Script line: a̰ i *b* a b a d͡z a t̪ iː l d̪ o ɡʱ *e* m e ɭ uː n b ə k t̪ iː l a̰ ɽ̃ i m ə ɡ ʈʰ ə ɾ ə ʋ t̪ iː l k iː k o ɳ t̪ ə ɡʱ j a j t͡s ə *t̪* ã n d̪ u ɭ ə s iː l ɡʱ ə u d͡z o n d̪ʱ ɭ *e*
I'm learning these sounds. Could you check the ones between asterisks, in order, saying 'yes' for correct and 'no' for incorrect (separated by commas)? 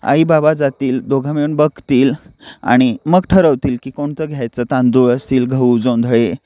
yes, no, yes, yes